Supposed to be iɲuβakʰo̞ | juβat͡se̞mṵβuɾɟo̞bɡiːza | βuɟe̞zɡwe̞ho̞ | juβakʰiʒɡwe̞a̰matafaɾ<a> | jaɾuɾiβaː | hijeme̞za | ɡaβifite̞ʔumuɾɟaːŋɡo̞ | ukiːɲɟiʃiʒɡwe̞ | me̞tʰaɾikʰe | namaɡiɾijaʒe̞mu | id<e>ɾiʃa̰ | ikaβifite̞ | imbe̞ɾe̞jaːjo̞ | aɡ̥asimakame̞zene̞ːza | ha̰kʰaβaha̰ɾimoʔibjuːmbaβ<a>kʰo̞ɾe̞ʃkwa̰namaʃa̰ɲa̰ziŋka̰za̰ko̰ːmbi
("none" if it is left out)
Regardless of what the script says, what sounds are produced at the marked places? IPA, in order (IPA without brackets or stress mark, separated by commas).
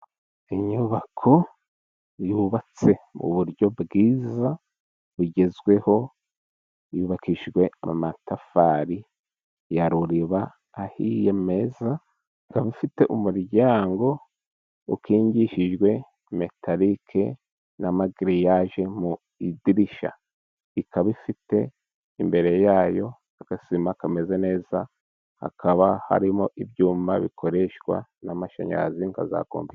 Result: i, i, i